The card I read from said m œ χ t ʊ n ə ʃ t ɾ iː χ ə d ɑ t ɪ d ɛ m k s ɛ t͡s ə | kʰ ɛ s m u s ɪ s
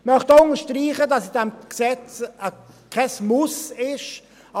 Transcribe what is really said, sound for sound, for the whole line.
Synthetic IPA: m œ χ t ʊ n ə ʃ t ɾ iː χ ə d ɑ s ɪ d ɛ m k s ɛ t͡s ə | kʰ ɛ s m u s ɪ ʃ